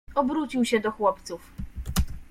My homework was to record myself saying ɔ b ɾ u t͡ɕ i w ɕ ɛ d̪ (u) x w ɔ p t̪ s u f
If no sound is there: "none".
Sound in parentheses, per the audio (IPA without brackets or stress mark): ɔ